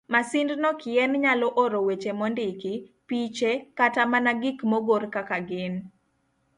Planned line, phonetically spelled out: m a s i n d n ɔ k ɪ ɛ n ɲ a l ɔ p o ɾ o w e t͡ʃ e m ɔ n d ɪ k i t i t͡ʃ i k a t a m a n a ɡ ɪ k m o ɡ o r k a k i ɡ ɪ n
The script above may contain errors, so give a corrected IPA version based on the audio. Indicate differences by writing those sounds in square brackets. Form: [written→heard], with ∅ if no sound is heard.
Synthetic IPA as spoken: m a s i n d n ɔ k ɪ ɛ n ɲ a l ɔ [p→ʔ] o ɾ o w e t͡ʃ e m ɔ n d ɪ k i [t→p] i t͡ʃ [i→e] k a t a m a n a ɡ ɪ k m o ɡ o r k a k [i→a] ɡ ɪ n